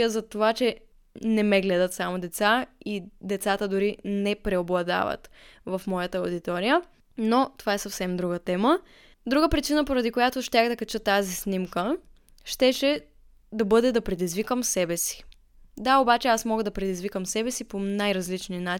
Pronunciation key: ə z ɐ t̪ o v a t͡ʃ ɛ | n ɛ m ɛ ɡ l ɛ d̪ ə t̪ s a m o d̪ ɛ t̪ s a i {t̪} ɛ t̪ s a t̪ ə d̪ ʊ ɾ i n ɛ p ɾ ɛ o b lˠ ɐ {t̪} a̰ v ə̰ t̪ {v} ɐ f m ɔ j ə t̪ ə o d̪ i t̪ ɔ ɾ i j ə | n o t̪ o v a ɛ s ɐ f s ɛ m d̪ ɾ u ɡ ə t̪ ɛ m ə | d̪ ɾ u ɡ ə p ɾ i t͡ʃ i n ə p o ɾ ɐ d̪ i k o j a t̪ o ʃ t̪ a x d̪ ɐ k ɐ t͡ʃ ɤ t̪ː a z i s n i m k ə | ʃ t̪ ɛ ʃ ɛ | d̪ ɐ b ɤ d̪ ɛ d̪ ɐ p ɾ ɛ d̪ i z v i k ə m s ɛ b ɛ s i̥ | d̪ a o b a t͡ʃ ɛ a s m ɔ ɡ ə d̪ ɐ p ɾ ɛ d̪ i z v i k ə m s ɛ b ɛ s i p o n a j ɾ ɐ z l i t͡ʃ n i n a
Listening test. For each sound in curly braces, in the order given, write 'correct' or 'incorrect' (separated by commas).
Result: incorrect, incorrect, correct